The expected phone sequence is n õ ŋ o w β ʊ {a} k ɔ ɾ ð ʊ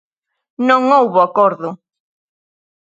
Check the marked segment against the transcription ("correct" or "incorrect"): correct